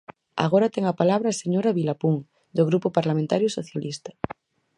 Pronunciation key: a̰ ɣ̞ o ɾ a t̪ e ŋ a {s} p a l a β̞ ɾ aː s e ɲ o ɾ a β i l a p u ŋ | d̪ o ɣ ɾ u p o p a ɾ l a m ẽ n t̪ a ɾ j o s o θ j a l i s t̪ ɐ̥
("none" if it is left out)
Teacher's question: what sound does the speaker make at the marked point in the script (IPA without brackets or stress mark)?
none